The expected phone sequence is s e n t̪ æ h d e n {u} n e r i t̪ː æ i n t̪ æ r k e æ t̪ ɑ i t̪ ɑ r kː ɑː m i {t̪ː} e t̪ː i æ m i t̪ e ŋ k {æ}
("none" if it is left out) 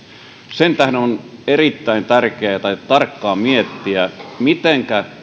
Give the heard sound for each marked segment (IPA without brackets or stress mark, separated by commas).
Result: o, none, æ